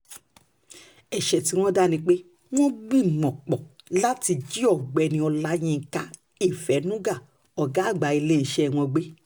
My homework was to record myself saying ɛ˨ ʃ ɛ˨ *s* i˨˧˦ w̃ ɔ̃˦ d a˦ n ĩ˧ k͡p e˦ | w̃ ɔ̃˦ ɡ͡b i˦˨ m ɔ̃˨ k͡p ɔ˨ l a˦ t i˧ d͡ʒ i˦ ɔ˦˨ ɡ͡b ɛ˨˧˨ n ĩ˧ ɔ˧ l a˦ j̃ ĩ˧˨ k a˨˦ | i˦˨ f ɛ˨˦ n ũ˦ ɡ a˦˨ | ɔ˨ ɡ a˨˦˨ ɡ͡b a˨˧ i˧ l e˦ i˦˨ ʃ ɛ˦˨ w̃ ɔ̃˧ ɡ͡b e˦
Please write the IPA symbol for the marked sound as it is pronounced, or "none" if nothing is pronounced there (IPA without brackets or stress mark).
t